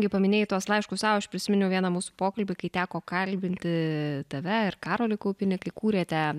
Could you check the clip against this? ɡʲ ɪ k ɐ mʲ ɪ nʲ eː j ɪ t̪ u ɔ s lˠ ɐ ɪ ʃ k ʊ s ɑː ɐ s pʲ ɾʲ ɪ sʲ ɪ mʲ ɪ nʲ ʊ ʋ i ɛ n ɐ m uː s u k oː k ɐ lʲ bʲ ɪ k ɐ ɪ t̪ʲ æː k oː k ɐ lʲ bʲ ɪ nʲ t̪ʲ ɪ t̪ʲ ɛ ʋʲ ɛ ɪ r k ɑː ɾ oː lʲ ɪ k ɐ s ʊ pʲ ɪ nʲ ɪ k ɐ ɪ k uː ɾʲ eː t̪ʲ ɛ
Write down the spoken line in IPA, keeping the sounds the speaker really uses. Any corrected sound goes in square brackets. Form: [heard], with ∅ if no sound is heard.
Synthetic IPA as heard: ɡʲ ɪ [p] ɐ mʲ ɪ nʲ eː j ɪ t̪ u ɔ s lˠ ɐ ɪ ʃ k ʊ s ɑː ɐ [ʃ] pʲ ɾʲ ɪ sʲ ɪ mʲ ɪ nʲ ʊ ʋ i ɛ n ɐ m uː s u [p] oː k ɐ lʲ bʲ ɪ k ɐ ɪ t̪ʲ æː k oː k ɐ lʲ bʲ ɪ nʲ t̪ʲ ɪ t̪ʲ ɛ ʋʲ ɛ ɪ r k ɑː ɾ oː lʲ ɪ k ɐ [∅] ʊ pʲ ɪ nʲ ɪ k ɐ ɪ k uː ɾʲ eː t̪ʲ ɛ

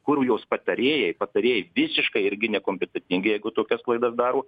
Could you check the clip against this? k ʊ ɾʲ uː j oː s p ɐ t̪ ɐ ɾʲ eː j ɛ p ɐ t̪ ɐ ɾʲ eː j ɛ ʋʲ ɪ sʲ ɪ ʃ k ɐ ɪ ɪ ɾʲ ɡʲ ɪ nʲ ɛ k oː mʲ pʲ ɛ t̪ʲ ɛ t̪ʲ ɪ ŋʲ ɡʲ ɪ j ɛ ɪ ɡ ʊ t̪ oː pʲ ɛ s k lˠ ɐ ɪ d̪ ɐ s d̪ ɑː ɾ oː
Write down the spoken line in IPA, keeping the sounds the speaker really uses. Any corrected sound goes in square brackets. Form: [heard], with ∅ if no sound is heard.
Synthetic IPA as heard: k ʊ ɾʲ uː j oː s p ɐ t̪ ɐ ɾʲ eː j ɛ p ɐ t̪ ɐ ɾʲ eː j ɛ ʋʲ ɪ sʲ ɪ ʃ k ɐ ɪ ɪ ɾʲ ɡʲ ɪ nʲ ɛ k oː mʲ pʲ ɛ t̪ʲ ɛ t̪ʲ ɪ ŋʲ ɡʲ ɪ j ɛ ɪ ɡ ʊ t̪ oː [kʲ] ɛ s k lˠ ɐ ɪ d̪ ɐ s d̪ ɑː ɾ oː

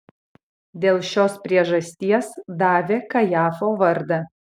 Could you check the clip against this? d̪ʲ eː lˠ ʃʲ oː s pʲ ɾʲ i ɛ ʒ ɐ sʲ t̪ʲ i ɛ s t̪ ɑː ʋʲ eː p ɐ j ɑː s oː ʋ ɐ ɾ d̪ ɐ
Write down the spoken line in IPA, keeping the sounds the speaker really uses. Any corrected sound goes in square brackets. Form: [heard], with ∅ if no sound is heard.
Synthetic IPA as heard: d̪ʲ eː lˠ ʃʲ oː s pʲ ɾʲ i ɛ ʒ ɐ sʲ t̪ʲ i ɛ s [d̪] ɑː ʋʲ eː [k] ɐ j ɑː [f] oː ʋ ɐ ɾ d̪ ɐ

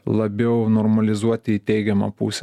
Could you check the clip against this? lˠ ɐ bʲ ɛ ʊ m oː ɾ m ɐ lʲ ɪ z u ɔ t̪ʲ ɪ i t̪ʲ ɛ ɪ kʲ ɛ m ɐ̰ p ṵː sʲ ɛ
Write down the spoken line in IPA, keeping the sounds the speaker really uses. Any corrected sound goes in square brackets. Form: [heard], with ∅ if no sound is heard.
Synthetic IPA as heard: lˠ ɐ bʲ ɛ ʊ [n] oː ɾ m ɐ lʲ ɪ z u ɔ t̪ʲ ɪ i t̪ʲ ɛ ɪ [ɡʲ] ɛ m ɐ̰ p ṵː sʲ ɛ

